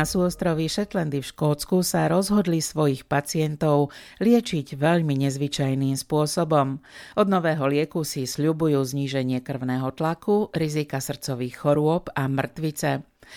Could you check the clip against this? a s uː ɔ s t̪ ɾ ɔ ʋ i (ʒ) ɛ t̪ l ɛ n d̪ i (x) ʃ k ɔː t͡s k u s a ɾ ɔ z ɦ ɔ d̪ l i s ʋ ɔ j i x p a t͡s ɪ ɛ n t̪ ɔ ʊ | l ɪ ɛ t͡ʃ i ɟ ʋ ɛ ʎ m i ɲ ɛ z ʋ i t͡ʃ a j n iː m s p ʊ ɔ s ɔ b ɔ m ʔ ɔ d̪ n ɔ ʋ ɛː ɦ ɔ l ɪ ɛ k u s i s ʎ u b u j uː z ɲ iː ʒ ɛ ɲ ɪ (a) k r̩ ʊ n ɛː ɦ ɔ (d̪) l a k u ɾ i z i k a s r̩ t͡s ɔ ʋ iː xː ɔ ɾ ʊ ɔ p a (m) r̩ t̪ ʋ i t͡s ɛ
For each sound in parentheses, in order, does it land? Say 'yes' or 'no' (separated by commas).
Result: no, no, no, no, yes